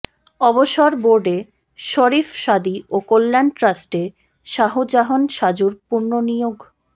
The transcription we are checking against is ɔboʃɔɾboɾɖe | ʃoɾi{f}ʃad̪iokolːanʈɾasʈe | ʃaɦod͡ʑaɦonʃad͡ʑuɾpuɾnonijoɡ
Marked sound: correct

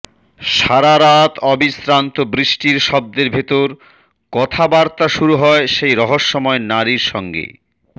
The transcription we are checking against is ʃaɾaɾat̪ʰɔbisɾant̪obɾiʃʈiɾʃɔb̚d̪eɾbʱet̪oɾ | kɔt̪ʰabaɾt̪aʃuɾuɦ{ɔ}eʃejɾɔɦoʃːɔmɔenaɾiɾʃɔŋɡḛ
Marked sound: correct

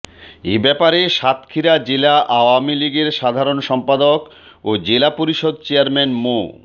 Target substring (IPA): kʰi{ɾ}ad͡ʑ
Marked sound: correct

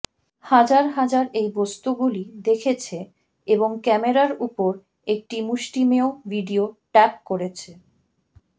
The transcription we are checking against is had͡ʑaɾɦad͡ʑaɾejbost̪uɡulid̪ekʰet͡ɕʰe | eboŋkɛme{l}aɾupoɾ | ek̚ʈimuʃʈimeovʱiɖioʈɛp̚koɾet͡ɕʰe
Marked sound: incorrect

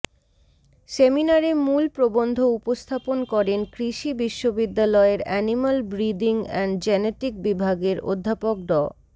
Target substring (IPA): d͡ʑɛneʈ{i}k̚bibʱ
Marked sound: correct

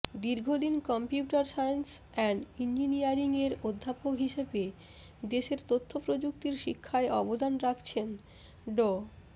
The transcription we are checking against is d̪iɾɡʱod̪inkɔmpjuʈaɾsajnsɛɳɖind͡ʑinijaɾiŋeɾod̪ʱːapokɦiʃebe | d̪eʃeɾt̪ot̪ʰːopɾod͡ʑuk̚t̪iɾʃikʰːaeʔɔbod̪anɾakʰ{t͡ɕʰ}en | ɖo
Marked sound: correct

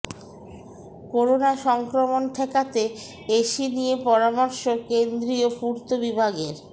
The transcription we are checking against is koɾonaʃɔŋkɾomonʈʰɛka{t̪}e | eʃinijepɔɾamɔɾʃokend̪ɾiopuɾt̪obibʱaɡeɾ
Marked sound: correct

